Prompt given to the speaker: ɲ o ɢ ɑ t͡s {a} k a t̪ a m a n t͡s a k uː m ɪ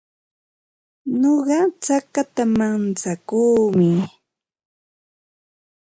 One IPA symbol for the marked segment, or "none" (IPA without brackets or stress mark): a